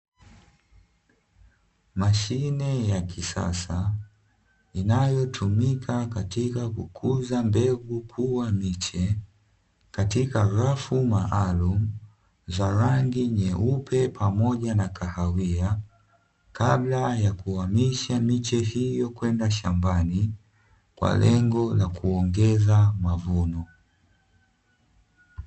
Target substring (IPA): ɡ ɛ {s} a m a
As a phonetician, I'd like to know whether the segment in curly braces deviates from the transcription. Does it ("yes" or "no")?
yes